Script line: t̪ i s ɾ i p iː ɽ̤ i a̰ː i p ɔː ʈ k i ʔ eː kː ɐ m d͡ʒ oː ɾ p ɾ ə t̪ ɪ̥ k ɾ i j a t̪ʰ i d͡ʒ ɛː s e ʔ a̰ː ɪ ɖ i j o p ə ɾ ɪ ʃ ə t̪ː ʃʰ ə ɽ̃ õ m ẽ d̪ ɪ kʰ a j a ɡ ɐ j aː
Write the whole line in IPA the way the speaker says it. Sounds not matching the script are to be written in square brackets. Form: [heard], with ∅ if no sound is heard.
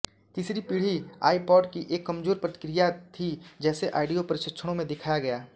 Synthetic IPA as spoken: t̪ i s ɾ i p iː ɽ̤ i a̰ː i p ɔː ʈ k i ʔ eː kː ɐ m d͡ʒ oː ɾ p ɾ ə t̪ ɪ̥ k ɾ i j a t̪ʰ i d͡ʒ ɛː s e ʔ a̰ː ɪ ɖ i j o p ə ɾ ɪ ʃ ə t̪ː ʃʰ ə ɽ̃ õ m ẽ d̪ ɪ kʰ a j a ɡ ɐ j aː